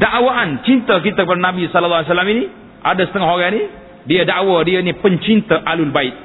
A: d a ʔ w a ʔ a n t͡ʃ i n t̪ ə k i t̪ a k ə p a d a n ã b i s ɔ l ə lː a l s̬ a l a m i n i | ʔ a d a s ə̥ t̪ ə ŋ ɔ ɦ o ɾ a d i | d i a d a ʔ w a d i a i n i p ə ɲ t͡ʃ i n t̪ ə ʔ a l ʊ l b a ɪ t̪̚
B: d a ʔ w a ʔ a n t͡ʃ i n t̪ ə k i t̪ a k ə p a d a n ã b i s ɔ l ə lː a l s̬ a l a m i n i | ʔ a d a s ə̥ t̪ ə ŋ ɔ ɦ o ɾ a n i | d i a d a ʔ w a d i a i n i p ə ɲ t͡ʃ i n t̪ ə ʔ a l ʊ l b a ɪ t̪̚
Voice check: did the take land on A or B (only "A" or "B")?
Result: B